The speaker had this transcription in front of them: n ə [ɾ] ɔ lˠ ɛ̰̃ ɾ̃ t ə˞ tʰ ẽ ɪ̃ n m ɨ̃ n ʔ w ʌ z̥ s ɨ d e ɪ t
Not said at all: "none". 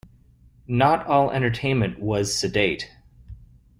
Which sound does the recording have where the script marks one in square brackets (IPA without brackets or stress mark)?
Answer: ɾ